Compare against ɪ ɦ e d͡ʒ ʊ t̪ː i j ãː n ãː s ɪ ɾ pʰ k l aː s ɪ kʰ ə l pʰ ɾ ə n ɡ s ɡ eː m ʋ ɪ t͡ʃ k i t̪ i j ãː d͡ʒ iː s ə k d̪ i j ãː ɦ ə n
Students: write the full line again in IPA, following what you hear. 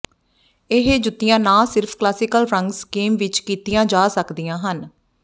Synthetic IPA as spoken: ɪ ɦ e d͡ʒ ʊ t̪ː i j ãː n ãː s ɪ ɾ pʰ k l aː s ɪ k ə l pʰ ɾ ə ŋ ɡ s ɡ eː m ʋ ɪ t͡ʃ k iː t̪ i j ãː d͡ʒ aː s ə k d̪ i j ãː ɦ ə n